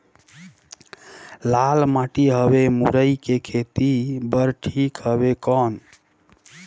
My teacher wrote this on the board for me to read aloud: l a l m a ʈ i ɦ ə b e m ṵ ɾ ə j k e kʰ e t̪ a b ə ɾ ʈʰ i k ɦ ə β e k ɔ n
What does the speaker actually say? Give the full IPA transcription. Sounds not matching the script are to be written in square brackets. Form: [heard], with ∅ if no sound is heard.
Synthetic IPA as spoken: l a l m a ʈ i ɦ ə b e m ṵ ɾ ə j k e kʰ e t̪ [i] b ə ɾ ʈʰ i k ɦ ə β e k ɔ n

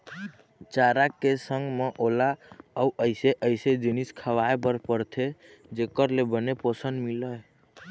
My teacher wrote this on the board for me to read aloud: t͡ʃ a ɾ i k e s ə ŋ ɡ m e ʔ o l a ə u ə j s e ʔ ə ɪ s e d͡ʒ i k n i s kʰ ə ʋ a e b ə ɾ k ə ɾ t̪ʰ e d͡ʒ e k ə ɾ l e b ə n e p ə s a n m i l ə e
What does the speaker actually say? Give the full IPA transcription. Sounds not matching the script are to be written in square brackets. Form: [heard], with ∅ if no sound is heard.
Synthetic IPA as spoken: t͡ʃ a ɾ [a] k e s ə ŋ ɡ m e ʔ o l a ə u ə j s e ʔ ə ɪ s e d͡ʒ i [∅] n i s kʰ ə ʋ a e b ə ɾ [p] ə ɾ t̪ʰ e d͡ʒ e k ə ɾ l e b ə n e p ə s [ə] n m i l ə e

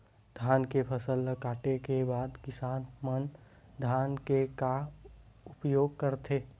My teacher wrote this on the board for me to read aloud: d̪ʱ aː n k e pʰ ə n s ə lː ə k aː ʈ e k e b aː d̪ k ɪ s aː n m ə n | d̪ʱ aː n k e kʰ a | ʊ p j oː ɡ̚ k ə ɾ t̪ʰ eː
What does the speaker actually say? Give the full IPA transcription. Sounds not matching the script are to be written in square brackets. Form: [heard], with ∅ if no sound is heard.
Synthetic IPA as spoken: d̪ʱ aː n k e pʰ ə [∅] s ə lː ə k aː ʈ e k e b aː d̪ k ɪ s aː n m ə n | d̪ʱ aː n k e [k] a | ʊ p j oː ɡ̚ k ə ɾ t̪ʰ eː

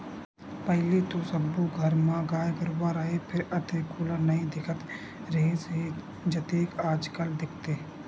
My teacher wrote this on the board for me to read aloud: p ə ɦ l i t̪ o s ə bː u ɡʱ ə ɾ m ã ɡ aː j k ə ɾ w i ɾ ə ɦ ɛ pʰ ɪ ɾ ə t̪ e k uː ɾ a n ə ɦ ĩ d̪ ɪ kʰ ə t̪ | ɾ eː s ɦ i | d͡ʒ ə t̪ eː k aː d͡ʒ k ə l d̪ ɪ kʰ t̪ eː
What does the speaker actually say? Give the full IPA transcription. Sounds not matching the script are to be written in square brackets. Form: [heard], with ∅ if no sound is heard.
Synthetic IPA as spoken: p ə ɦ l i t̪ o s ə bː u ɡʱ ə ɾ m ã ɡ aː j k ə ɾ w [a] ɾ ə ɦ [e] pʰ ɪ ɾ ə t̪ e k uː [l] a n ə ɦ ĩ d̪ ɪ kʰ ə t̪ | ɾ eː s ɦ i | d͡ʒ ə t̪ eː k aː d͡ʒ k ə l d̪ ɪ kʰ t̪ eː

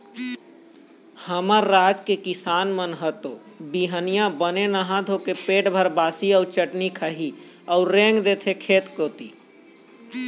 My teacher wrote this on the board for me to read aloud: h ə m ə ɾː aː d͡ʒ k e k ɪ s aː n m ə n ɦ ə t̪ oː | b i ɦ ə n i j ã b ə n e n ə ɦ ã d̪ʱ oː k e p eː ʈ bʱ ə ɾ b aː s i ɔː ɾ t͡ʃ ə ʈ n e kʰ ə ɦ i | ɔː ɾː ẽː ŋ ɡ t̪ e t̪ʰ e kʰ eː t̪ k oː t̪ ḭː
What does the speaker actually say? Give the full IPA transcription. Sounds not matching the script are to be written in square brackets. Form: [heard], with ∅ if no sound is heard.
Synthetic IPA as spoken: h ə m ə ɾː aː d͡ʒ k e k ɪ s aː n m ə n ɦ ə t̪ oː | b i ɦ ə n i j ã b ə n e n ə ɦ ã d̪ʱ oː k e p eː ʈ bʱ ə ɾ b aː s i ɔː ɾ t͡ʃ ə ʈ n [i] kʰ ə ɦ i | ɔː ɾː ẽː ŋ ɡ [d̪] e t̪ʰ e kʰ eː t̪ k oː t̪ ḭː

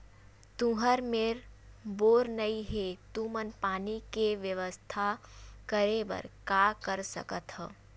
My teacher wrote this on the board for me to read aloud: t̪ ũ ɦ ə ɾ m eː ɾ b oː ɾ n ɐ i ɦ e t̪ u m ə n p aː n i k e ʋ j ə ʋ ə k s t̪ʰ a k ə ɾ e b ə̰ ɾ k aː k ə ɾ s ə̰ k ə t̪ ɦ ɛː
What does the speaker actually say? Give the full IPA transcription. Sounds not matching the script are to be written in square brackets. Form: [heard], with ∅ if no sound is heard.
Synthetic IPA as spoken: t̪ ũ ɦ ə ɾ m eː ɾ b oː ɾ n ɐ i ɦ e t̪ u m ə n p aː n i k e ʋ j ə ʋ ə [∅] s t̪ʰ a k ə ɾ e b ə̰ ɾ k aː k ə ɾ s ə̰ k ə t̪ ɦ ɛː

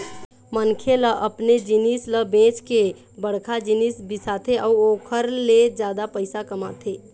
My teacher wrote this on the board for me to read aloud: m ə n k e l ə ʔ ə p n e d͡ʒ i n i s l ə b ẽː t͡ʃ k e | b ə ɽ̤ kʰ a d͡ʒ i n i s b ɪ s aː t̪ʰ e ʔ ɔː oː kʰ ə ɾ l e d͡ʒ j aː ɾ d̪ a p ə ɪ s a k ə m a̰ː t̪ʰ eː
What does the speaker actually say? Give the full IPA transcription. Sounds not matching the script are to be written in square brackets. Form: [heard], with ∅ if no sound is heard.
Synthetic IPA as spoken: m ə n [kʰ] e l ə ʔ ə p n e d͡ʒ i n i s l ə b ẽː t͡ʃ k e | b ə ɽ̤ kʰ a d͡ʒ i n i s b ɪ s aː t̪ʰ e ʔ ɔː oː kʰ ə ɾ l e d͡ʒ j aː [∅] d̪ a p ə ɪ s a k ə m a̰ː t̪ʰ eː

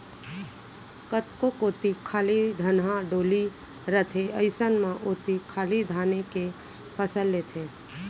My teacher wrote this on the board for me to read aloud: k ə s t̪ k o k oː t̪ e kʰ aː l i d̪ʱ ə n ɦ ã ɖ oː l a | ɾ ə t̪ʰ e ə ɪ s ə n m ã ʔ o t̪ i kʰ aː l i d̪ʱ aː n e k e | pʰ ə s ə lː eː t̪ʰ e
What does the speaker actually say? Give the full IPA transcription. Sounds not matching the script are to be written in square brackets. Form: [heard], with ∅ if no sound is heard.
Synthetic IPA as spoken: k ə [∅] t̪ k o k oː t̪ [i] kʰ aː l i d̪ʱ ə n ɦ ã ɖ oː l [i] | ɾ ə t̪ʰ e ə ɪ s ə n m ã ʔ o t̪ i kʰ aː l i d̪ʱ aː n e k e | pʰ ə s ə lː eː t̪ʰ e

